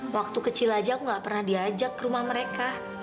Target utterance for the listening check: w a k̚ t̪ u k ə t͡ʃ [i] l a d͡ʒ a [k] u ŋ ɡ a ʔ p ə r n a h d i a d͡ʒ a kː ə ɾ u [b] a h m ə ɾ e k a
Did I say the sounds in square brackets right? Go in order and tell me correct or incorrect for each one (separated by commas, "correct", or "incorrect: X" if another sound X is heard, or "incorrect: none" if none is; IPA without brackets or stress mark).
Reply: correct, correct, incorrect: m